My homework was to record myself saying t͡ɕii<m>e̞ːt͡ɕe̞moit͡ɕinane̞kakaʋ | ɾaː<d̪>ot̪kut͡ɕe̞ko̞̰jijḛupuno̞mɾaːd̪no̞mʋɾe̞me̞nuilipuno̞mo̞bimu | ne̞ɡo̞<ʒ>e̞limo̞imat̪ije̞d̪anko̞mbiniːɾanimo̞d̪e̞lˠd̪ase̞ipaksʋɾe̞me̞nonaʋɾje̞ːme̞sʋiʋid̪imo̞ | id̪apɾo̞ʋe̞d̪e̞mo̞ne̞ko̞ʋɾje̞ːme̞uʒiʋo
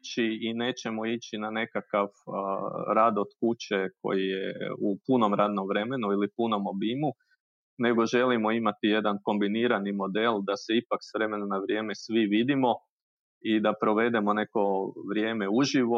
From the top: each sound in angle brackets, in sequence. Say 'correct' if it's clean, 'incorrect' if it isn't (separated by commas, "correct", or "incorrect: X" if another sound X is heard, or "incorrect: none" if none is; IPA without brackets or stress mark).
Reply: incorrect: n, correct, correct